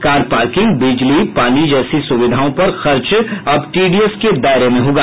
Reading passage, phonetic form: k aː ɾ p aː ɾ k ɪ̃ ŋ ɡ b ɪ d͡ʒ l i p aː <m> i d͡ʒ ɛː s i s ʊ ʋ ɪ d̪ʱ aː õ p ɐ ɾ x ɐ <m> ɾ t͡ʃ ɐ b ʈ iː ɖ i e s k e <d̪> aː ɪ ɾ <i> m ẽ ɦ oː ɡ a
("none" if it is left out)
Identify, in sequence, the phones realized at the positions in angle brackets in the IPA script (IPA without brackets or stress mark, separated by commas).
n, none, d̪, e